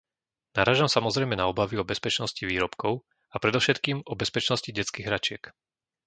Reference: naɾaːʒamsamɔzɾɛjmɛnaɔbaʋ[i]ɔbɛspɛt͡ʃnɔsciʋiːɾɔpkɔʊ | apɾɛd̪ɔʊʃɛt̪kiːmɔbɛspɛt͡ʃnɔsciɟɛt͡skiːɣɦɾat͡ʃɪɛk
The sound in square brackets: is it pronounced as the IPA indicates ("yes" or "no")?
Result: yes